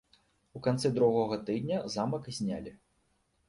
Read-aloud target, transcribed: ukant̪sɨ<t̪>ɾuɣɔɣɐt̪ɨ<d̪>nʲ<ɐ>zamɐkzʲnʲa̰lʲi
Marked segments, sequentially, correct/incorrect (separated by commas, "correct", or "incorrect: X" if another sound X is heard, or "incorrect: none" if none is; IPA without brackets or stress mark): incorrect: d̪, correct, correct